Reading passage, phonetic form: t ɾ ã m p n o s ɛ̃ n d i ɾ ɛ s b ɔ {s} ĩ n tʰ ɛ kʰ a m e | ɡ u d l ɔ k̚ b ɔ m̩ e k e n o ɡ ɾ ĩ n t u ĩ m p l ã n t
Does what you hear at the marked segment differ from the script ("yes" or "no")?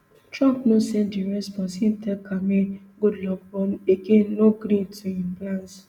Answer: no